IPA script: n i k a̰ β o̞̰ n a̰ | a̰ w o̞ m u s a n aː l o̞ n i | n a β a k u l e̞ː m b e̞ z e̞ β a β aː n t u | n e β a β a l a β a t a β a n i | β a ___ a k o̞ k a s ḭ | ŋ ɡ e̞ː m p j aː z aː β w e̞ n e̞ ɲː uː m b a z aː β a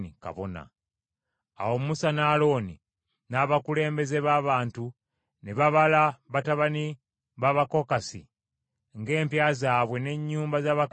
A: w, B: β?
B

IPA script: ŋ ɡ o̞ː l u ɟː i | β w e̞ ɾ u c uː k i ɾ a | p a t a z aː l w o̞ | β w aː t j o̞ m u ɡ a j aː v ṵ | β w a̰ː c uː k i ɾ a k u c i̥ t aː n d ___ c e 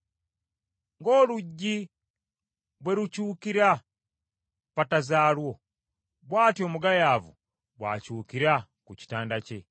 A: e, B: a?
B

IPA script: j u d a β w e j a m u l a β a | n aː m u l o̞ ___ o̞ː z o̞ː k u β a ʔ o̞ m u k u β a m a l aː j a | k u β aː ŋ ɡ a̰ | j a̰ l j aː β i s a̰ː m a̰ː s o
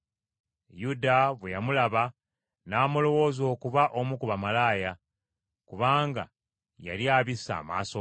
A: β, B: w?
B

